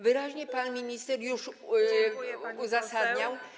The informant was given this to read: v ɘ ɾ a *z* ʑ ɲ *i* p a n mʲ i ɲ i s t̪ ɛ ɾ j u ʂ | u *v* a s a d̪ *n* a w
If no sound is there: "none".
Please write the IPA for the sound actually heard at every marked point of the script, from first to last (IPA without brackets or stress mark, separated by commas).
none, ɛ, z, ɲ